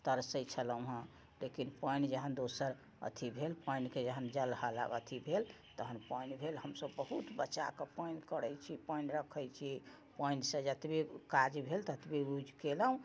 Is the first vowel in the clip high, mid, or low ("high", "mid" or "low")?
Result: mid